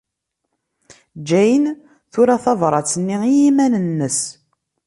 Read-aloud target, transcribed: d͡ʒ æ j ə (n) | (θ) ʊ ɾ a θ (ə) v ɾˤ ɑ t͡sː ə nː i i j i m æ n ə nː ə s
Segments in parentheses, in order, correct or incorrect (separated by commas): correct, correct, incorrect